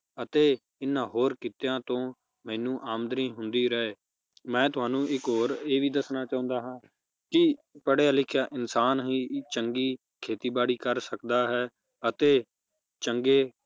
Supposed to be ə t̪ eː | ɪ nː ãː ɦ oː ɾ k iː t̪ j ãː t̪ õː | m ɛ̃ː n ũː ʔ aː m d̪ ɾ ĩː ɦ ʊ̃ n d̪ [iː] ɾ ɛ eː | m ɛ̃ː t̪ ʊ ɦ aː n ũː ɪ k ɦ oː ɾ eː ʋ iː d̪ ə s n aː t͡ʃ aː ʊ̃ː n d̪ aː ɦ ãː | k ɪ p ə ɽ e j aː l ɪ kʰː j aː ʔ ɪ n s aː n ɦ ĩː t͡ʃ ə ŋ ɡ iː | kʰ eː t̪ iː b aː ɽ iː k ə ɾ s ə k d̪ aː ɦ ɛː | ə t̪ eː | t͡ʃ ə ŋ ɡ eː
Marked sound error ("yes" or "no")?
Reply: no